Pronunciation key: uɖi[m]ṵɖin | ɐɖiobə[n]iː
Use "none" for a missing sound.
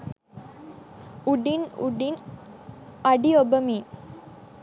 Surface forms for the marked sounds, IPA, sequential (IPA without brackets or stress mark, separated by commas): n, m